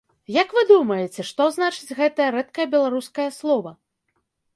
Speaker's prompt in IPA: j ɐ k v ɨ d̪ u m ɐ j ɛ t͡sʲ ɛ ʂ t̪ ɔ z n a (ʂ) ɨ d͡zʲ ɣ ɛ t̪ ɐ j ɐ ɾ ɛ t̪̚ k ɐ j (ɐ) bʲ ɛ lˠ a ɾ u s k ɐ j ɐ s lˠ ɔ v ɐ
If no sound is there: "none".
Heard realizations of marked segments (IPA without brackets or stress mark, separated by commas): t͡ʂ, ɐ